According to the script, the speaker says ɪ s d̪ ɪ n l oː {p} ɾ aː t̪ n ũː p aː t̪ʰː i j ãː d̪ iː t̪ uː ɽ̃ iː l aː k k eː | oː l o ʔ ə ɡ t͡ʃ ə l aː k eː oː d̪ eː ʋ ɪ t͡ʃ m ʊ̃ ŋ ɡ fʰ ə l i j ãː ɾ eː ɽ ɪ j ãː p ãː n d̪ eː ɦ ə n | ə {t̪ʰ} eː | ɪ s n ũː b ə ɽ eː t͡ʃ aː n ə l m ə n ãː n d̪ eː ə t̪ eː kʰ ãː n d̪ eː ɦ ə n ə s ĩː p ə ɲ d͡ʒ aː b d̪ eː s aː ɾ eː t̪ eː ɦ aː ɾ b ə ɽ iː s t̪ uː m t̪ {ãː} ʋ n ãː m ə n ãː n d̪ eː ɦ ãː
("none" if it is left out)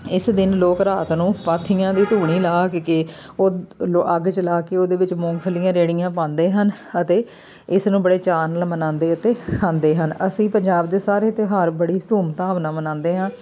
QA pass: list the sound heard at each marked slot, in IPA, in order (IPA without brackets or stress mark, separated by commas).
k, t̪, aː